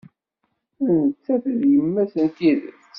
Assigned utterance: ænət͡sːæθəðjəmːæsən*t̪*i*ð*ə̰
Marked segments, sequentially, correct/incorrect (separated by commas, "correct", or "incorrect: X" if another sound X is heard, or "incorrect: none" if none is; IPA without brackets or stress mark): correct, correct